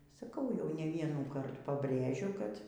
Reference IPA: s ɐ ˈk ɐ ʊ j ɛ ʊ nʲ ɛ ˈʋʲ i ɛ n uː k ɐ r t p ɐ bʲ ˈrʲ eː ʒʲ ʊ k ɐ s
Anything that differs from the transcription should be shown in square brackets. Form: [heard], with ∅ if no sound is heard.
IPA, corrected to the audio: s ɐ ˈk ɐ ʊ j ɛ ʊ nʲ ɛ ˈʋʲ i ɛ n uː k ɐ r t p ɐ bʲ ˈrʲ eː ʒʲ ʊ k ɐ [t]